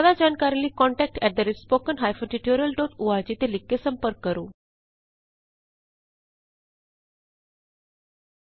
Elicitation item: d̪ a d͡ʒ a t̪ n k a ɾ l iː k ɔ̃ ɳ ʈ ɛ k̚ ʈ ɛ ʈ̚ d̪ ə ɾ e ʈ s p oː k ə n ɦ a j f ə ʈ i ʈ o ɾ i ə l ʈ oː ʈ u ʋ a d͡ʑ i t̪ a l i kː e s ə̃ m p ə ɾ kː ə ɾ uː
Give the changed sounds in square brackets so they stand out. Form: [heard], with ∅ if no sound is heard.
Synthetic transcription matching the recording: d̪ a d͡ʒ a [∅] n k a ɾ l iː k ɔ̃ ɳ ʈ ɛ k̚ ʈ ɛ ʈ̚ d̪ ə ɾ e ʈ s p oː k ə n ɦ a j f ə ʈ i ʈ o ɾ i ə l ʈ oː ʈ u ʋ a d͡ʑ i t̪ [e] l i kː e s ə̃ m p ə ɾ kː ə ɾ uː